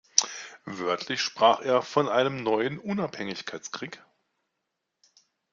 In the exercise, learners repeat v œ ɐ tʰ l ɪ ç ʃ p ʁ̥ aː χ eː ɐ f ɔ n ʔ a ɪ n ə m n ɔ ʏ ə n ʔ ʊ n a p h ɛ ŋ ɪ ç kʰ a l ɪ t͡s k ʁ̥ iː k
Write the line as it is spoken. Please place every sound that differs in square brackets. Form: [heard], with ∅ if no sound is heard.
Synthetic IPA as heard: v œ ɐ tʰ l ɪ ç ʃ p ʁ̥ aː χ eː ɐ f ɔ n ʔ a ɪ n ə m n ɔ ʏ ə n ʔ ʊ n a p h ɛ ŋ ɪ ç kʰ a [∅] ɪ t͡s k ʁ̥ iː k